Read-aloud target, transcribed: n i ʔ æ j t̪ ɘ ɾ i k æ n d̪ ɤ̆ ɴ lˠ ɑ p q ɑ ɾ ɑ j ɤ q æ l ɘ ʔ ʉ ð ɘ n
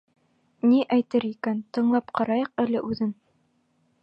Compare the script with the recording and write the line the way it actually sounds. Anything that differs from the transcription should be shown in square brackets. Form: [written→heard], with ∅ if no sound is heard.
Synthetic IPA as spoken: n i ʔ æ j t̪ ɘ ɾ i k æ n [d̪→t̪] ɤ̆ ɴ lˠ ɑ p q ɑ ɾ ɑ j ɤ q æ l ɘ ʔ ʉ ð ɘ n